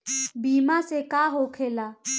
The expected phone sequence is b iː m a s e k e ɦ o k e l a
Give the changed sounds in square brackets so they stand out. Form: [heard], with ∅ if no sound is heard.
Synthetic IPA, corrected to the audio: b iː m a s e k [a] ɦ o [kʰ] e l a